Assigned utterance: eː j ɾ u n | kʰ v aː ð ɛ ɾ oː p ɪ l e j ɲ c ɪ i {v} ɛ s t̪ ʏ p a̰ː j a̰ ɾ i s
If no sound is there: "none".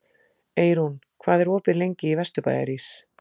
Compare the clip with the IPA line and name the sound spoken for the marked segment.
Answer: v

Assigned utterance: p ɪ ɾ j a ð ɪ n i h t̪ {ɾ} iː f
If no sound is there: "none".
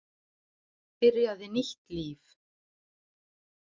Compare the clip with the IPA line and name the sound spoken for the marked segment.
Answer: l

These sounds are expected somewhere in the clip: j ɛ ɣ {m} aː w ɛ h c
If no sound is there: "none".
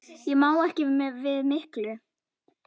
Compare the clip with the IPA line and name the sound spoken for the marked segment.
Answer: m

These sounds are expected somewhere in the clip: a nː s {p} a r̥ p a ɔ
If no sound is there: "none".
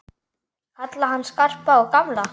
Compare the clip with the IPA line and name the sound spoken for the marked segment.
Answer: k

